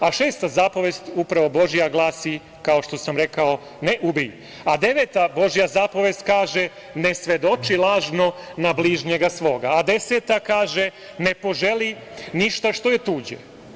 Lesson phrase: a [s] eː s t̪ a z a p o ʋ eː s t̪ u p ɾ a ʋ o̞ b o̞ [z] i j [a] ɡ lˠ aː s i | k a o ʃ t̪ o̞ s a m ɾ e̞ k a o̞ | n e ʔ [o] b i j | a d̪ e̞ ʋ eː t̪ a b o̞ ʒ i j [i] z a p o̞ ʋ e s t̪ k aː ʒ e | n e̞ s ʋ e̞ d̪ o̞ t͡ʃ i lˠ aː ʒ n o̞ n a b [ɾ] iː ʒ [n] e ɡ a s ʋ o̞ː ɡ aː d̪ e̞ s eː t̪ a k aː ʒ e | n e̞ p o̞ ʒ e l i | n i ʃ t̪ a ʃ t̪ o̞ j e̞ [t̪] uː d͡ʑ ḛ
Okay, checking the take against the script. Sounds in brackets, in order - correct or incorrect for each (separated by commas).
incorrect, incorrect, correct, incorrect, incorrect, incorrect, incorrect, correct